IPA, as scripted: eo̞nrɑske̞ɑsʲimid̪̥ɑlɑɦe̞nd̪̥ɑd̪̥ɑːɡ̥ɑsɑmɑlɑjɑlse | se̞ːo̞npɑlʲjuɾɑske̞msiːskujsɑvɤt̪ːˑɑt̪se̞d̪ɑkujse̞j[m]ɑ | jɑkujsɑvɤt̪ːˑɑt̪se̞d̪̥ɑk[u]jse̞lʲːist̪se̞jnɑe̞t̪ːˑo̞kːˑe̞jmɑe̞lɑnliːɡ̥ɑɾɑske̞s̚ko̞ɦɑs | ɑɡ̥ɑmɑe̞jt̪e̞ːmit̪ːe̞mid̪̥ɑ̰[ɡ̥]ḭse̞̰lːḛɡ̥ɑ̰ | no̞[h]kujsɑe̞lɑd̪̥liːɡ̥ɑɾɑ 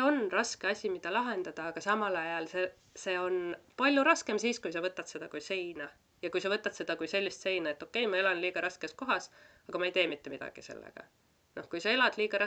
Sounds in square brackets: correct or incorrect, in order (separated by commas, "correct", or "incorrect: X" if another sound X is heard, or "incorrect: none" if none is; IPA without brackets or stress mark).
incorrect: n, correct, correct, correct